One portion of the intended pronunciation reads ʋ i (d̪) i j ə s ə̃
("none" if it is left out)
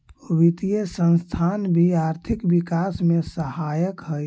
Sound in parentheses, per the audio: t̪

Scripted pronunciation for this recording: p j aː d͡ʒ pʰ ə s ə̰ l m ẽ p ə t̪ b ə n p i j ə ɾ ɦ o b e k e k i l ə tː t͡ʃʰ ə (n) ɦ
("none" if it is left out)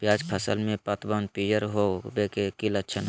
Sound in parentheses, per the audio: n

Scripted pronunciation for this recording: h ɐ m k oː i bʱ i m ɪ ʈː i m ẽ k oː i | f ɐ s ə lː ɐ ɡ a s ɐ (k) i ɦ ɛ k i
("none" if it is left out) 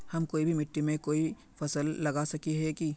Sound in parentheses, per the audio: k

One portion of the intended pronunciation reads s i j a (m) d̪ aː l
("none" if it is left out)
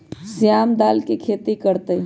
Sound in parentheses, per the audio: m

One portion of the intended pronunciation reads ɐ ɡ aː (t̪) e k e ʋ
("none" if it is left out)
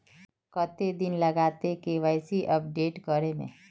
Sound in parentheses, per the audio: t̪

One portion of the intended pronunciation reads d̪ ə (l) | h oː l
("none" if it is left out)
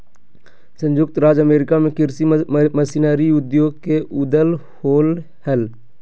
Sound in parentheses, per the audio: l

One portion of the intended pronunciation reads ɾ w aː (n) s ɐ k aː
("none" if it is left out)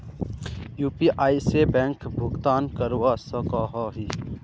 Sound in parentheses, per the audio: none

